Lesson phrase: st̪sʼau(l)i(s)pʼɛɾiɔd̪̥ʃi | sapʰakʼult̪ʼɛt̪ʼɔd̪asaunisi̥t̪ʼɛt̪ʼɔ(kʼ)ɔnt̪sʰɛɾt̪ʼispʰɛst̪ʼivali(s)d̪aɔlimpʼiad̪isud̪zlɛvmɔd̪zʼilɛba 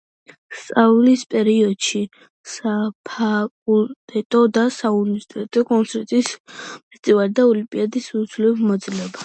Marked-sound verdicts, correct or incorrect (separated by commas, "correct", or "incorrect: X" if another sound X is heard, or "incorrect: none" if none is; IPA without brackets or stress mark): correct, correct, correct, incorrect: none